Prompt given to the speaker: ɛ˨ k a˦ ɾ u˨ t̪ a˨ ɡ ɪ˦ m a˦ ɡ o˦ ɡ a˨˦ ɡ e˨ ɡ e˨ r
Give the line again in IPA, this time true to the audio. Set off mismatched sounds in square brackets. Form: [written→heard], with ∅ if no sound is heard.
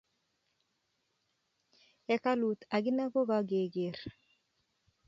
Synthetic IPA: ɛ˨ k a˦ [ɾ→l] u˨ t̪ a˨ ɡ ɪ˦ [m→n] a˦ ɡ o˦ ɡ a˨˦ ɡ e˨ ɡ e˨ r